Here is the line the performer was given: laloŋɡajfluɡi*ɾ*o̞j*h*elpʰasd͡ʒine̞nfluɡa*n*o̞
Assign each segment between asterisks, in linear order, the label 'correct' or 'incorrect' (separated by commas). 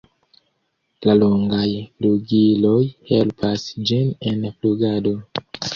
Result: incorrect, correct, incorrect